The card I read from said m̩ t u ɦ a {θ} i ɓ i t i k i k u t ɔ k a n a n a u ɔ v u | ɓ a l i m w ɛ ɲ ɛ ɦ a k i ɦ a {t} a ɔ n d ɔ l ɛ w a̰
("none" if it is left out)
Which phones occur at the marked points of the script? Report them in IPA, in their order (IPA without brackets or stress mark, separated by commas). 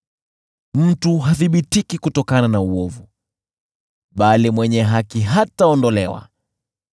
θ, t